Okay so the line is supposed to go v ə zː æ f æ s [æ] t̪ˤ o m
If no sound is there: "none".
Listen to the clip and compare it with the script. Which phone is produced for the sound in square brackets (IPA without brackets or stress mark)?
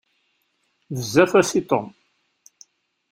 i